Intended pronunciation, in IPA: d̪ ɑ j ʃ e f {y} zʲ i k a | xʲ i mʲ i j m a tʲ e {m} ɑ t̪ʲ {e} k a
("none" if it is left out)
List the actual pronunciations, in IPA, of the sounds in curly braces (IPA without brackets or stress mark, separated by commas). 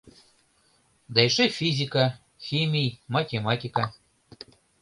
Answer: i, m, i